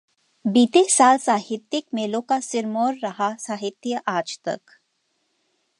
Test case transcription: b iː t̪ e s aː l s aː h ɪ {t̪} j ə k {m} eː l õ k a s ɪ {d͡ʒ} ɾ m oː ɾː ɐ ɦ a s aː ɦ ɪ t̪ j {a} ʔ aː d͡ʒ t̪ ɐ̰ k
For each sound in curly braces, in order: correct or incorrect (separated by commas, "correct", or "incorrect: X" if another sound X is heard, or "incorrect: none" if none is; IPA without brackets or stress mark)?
correct, correct, incorrect: none, incorrect: ə